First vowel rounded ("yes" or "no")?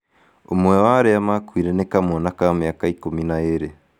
yes